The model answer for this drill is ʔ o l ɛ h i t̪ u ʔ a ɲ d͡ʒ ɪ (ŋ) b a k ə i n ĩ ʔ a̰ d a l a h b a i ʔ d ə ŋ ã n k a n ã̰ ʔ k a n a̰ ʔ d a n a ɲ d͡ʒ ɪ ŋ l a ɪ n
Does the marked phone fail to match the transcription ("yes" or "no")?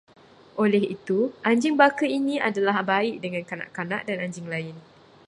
no